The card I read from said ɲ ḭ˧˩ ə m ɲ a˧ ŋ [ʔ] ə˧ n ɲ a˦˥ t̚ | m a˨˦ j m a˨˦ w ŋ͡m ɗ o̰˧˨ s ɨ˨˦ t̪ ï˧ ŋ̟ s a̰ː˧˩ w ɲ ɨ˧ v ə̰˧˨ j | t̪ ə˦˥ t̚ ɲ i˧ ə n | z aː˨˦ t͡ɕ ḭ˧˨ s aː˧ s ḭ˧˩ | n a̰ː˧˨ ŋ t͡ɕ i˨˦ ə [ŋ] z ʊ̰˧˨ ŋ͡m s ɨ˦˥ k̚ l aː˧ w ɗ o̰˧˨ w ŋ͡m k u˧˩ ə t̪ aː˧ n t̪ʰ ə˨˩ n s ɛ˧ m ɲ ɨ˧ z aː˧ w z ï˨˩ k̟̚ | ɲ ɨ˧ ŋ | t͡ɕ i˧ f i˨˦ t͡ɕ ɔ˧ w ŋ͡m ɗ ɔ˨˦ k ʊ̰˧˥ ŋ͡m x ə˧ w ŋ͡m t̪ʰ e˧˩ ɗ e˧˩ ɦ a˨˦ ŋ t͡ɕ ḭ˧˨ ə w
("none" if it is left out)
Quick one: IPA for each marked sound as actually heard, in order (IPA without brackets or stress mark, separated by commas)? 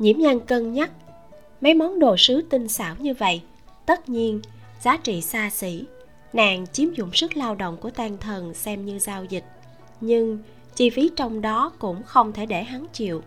k, m